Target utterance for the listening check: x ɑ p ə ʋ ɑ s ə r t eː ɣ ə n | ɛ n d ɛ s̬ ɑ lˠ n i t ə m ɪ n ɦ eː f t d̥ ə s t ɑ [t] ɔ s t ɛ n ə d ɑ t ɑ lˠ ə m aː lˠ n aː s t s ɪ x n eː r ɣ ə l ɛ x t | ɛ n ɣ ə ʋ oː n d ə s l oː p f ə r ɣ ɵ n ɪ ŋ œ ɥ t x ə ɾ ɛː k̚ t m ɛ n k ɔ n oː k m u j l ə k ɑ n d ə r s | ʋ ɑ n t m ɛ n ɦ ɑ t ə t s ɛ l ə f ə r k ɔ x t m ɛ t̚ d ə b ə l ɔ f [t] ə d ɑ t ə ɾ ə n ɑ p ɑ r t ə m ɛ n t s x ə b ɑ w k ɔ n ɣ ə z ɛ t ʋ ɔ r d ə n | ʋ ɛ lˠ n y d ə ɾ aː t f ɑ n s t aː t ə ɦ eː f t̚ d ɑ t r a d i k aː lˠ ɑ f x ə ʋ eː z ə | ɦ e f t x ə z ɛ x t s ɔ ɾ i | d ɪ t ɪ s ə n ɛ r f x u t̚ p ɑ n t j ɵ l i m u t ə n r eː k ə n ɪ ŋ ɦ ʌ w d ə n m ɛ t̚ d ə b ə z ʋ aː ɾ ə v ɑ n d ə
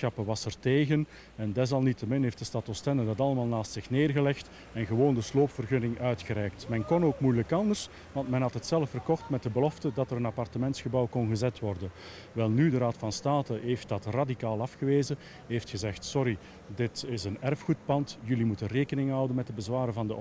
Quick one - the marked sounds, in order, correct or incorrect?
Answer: correct, correct

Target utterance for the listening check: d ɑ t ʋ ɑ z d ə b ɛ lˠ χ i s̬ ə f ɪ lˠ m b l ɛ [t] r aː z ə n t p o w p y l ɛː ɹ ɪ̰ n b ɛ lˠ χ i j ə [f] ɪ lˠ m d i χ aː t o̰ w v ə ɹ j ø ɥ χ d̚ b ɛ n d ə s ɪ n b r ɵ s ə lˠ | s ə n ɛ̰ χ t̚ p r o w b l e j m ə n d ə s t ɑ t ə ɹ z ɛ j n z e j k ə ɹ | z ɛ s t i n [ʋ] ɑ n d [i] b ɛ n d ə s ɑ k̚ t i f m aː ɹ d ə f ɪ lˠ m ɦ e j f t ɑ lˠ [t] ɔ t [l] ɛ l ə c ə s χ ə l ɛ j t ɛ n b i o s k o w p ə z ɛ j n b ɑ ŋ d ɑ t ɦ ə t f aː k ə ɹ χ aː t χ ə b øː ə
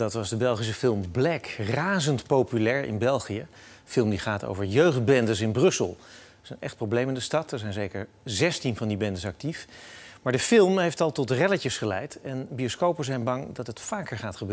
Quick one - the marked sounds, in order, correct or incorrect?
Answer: incorrect: k, correct, incorrect: v, correct, correct, incorrect: r

